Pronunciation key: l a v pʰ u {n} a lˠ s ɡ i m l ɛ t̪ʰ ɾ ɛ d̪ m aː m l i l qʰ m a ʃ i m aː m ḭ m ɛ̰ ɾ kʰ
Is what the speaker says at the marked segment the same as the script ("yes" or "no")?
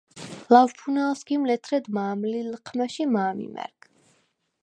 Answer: yes